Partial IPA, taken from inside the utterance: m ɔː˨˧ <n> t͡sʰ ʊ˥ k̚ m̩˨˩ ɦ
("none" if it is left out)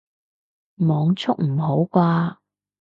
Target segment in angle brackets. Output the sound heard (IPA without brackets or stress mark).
ŋ